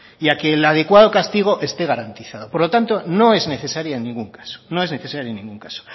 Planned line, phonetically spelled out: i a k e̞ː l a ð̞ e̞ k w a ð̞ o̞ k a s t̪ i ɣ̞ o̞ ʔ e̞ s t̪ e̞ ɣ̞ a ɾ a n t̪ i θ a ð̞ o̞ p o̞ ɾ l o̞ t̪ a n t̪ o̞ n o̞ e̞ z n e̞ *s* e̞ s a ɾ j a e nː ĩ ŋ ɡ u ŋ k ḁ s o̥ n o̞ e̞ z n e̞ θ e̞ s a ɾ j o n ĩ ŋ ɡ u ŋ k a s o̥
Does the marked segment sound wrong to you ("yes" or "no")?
yes